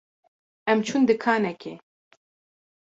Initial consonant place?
labial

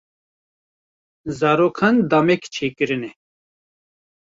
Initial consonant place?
alveolar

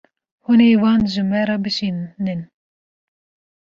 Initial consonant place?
glottal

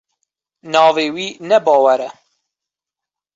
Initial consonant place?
alveolar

